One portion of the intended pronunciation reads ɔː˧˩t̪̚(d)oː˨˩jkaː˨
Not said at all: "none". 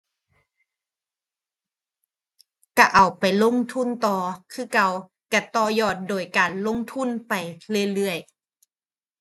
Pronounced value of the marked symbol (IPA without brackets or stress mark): d